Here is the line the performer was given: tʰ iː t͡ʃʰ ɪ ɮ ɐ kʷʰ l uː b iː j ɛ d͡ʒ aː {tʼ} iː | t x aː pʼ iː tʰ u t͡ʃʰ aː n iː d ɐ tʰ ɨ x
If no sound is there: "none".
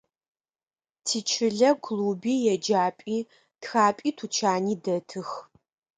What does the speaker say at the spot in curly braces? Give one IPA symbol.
pʼ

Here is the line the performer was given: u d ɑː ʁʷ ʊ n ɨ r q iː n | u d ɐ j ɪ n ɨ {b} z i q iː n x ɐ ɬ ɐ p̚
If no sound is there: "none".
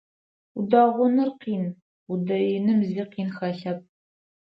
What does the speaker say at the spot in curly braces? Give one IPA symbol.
m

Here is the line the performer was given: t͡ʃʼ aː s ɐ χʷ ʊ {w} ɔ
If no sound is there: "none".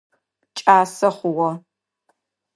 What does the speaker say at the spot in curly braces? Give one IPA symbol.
w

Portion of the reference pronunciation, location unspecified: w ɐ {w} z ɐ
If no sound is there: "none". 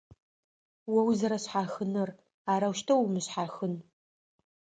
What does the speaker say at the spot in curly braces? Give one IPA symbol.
w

